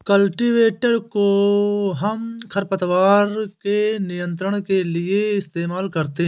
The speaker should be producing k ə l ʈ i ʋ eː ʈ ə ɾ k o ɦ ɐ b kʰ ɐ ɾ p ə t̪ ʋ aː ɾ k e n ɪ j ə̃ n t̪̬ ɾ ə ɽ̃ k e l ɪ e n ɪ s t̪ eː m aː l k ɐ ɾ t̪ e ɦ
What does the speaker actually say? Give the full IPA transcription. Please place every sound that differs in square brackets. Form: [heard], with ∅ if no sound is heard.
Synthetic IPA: k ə l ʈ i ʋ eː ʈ ə ɾ k o ɦ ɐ [m] kʰ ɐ ɾ p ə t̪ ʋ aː ɾ k e n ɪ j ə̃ n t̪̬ ɾ ə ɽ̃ k e l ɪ e [∅] ɪ s t̪ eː m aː l k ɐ ɾ t̪ e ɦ